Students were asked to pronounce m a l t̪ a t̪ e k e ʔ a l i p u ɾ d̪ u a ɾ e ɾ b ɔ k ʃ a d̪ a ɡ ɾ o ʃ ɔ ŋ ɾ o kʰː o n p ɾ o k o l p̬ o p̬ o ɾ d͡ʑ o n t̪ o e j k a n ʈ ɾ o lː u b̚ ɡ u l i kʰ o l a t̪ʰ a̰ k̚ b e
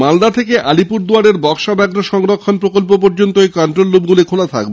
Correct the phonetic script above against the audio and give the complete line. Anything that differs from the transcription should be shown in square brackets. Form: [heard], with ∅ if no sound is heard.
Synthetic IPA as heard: m a l [d̪] a [t̪ʰ] e k e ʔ a l i p u ɾ d̪ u a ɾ e ɾ b ɔ k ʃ a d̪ a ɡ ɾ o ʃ ɔ ŋ ɾ o kʰː o n p ɾ o k o l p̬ o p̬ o ɾ d͡ʑ o n t̪ o e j k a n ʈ ɾ o lː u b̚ ɡ u l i kʰ o l a t̪ʰ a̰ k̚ b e